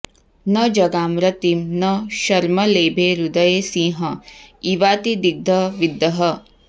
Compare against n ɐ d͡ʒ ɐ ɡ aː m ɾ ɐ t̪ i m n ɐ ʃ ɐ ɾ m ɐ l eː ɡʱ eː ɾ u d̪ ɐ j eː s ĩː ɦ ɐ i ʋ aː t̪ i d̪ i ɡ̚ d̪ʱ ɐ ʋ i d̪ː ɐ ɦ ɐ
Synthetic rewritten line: n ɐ d͡ʒ ɐ ɡ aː m ɾ ɐ t̪ i m n ɐ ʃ ɐ ɾ m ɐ l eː bʱ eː ɾ u d̪ ɐ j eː s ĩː ɦ ɐ i ʋ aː t̪ i d̪ i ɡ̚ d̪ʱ ɐ ʋ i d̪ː ɐ ɦ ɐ